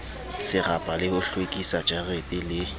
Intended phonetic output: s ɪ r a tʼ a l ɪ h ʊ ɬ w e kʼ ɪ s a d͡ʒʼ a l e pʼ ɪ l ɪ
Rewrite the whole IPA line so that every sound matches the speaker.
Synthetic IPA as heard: s ɪ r a pʼ a l ɪ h ʊ ɬ w e kʼ i s a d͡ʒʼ a r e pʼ ɪ l ɪ